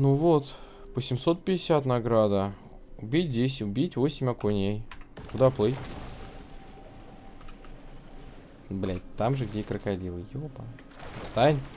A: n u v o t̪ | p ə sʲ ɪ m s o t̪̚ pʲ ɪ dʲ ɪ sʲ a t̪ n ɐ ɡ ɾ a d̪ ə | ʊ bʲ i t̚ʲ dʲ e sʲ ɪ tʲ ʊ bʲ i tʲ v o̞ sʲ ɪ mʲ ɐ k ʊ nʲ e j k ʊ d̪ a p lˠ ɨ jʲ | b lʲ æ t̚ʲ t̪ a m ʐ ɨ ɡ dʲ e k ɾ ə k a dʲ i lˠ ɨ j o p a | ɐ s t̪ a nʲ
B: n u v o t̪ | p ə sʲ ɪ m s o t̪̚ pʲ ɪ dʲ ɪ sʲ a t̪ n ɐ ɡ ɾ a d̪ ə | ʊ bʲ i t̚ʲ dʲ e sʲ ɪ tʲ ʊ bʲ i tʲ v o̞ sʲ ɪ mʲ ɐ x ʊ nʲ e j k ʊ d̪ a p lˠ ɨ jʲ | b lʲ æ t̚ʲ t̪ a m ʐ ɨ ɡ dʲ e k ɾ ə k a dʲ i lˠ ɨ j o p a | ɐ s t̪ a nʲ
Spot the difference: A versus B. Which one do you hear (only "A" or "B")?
A